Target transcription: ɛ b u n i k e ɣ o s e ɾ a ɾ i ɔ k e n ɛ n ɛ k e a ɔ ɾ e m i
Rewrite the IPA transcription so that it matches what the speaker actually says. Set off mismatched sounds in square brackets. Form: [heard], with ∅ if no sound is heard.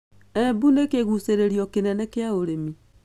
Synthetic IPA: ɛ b u n [e] k e ɣ [u] s e ɾ [e] ɾ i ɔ k e n ɛ n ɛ k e a [o] ɾ e m i